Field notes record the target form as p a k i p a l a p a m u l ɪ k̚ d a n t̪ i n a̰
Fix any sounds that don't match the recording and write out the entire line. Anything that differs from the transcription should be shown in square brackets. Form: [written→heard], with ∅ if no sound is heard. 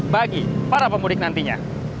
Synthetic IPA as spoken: [p→b] a [k→ɡ] i p a [l→ɾ] a p [a→ə] m u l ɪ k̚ [d→n] a n t̪ i [n→ɲ] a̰